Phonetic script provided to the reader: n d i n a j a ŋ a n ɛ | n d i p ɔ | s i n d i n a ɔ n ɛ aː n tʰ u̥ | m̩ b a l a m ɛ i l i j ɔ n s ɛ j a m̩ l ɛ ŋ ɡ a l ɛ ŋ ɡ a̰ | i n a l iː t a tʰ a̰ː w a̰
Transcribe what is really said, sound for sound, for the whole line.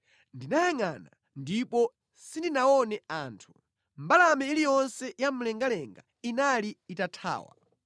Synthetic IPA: n d i n a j a ŋ a n a | n d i p ɔ | s i n d i n a ɔ n ɛ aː n tʰ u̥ | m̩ b a l a m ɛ i l i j ɔ n s ɛ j a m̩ l ɛ ŋ ɡ a l ɛ ŋ ɡ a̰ | i n a l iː t a tʰ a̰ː w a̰